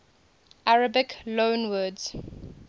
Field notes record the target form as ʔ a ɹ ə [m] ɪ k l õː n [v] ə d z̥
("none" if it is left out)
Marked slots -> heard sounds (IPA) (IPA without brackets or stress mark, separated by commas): b, w